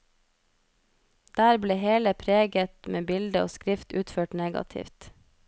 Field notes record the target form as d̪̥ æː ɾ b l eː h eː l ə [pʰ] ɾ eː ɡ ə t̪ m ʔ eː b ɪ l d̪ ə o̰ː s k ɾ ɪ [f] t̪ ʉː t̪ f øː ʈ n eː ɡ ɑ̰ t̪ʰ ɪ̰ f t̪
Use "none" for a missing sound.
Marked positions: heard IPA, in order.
pʰ, f

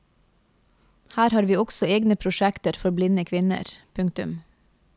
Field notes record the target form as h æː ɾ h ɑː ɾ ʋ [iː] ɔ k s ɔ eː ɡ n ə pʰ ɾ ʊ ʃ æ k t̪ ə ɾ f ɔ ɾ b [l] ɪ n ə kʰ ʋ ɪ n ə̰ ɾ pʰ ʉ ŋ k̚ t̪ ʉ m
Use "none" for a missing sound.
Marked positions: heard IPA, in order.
iː, l

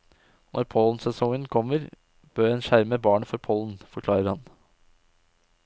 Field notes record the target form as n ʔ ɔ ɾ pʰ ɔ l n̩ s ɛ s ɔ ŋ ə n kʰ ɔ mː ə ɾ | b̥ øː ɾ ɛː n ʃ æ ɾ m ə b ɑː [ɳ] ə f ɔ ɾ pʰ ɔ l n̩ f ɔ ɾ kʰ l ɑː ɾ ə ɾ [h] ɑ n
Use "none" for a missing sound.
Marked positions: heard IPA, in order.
ɳ, h

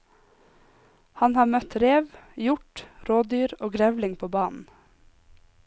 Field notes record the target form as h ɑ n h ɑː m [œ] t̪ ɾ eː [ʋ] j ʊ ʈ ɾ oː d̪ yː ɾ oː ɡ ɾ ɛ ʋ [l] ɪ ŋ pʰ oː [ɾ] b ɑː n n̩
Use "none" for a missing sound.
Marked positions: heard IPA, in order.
œ, ʋ, l, none

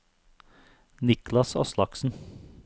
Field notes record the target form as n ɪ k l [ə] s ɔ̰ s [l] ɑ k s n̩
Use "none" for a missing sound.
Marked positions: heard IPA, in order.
ɑ, l

